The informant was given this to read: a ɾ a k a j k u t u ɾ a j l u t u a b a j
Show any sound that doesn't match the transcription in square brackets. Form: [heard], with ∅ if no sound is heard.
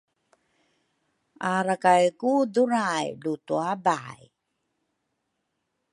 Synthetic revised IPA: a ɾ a k a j k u [d] u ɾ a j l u t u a b a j